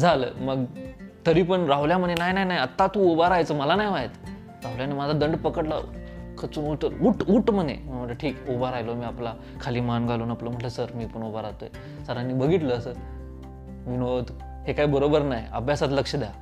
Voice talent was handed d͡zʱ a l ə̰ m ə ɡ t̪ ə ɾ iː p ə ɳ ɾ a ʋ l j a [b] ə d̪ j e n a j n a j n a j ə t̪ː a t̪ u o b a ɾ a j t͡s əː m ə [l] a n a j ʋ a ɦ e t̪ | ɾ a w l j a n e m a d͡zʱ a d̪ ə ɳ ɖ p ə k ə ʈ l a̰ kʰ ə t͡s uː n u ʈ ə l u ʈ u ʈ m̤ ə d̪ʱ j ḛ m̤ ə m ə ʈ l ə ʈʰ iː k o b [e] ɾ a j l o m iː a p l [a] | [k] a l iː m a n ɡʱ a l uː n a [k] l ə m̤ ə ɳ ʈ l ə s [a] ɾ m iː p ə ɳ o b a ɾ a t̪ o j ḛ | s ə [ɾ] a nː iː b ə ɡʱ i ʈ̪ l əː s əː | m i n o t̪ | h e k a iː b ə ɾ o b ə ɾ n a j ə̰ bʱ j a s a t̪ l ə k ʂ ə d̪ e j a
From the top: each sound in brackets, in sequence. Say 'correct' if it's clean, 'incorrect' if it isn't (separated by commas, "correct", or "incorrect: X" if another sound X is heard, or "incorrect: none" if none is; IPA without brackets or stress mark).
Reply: incorrect: m, correct, incorrect: a, correct, incorrect: kʰ, incorrect: p, incorrect: ə, correct